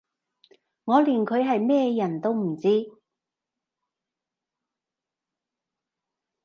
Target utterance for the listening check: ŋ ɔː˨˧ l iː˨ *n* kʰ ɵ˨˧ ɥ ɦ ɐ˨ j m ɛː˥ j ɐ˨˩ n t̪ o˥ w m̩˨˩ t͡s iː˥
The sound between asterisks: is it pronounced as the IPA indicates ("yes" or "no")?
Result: yes